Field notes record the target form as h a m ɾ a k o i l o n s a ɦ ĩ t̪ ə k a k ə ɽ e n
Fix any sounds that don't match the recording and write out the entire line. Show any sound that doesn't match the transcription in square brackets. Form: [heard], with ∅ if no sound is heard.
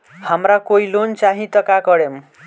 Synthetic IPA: h a m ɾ a k o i l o n [t͡s] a ɦ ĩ t̪ [ʌ] k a k [ʌ] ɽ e [m]

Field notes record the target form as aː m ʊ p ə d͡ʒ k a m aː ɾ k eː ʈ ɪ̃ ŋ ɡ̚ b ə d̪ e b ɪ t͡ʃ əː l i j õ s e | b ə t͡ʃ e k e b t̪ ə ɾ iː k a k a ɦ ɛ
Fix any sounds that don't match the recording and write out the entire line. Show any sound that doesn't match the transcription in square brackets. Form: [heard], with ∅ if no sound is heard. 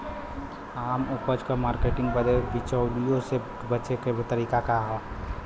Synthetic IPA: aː m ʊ p ə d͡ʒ k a m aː ɾ k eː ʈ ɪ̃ ŋ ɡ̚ b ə d̪ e b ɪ t͡ʃ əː l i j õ s e | b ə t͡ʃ e k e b t̪ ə ɾ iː k a k a ɦ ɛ

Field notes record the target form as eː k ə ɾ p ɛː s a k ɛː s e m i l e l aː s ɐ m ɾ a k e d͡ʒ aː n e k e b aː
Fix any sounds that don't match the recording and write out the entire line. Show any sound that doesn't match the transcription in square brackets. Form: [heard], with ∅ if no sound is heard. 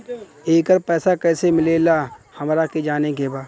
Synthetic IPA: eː k ə ɾ p ɛː s a k ɛː s e m [ɪ] l e l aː [h] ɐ m ɾ a k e d͡ʒ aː n e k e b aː

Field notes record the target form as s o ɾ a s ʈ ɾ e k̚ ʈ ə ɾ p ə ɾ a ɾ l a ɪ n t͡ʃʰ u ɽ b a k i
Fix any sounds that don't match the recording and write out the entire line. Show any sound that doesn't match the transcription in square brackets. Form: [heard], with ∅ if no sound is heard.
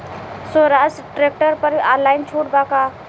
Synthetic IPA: s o ɾ a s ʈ ɾ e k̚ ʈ ə ɾ p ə ɾ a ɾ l a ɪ n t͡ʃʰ u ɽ b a k [a]

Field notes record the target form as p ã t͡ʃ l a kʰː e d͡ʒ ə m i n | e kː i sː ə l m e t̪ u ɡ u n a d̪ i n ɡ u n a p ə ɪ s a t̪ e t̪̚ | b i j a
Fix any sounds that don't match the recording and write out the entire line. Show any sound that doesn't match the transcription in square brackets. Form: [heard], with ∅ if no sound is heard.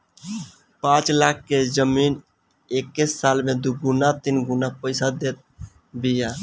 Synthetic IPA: p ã t͡ʃ l a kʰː e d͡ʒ ə m i n | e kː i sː [a] l m e [d̪] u ɡ u n a [t̪] i n ɡ u n a p ə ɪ s a [d̪] e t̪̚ | b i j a

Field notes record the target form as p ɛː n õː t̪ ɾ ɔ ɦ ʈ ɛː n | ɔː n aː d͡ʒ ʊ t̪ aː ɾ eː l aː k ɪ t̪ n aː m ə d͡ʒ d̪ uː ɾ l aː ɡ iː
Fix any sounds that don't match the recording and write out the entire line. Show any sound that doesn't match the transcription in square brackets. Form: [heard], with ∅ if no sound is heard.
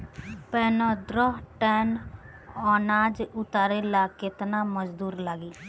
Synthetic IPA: p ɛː n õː [d̪] ɾ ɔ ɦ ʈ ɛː n | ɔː n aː d͡ʒ ʊ t̪ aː ɾ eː l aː k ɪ t̪ n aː m ə d͡ʒ d̪ uː ɾ l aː ɡ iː

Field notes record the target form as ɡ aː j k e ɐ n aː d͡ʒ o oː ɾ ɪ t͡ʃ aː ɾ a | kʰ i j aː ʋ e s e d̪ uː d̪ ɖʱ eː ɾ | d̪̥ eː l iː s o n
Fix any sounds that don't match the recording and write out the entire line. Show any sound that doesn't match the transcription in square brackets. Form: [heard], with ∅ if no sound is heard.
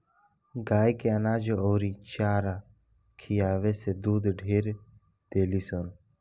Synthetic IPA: ɡ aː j k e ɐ n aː d͡ʒ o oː ɾ [i] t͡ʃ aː ɾ a | kʰ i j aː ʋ e s e d̪ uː d̪ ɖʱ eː ɾ | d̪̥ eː l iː s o n

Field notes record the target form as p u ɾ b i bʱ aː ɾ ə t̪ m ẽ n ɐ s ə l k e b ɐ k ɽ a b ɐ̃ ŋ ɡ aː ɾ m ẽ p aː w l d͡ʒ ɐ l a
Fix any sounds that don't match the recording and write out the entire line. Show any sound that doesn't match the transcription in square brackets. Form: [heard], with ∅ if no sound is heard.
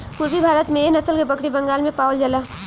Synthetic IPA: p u ɾ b i bʱ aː ɾ ə t̪ m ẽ n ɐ s ə l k e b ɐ k ɽ [i] b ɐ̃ ŋ ɡ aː [l] m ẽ p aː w l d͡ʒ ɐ l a

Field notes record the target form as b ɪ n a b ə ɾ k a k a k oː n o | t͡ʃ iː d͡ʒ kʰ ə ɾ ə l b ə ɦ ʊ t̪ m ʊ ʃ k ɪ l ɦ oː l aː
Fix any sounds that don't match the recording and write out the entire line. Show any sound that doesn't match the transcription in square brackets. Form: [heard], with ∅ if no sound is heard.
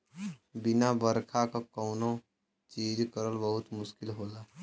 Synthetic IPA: b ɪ n a b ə ɾ [kʰ] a k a k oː n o | t͡ʃ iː d͡ʒ [k] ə ɾ ə l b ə ɦ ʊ t̪ m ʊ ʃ k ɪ l ɦ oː l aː

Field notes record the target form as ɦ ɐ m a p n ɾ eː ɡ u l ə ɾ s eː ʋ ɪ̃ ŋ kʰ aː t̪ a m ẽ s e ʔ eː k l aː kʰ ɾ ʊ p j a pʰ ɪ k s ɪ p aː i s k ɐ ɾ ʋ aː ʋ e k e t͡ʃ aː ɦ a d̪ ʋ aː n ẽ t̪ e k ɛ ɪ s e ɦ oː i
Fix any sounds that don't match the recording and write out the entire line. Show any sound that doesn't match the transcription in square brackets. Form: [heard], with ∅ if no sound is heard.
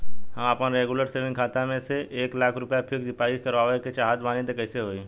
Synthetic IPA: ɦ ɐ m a p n ɾ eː ɡ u l ə ɾ s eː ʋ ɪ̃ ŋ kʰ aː t̪ a m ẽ s e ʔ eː k l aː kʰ ɾ ʊ p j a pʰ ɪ k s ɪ p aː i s k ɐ ɾ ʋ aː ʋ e k e t͡ʃ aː ɦ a d̪ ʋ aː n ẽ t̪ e k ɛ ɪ s e ɦ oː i

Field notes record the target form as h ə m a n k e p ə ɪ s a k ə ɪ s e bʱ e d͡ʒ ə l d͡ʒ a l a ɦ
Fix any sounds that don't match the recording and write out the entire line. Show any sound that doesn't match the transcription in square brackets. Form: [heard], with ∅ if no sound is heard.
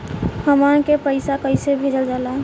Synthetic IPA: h ə m a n k e p ə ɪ s a k ə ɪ s e bʱ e d͡ʒ ə l d͡ʒ a l a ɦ

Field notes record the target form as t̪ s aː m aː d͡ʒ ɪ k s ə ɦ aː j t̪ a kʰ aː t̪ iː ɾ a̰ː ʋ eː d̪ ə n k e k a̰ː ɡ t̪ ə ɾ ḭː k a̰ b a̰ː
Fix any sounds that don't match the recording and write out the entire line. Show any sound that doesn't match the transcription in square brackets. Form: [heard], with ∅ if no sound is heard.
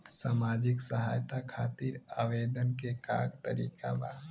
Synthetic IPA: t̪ s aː m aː d͡ʒ ɪ k s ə ɦ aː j t̪ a kʰ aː t̪ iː ɾ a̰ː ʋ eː d̪ ə n k e k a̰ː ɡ t̪ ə ɾ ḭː k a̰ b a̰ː

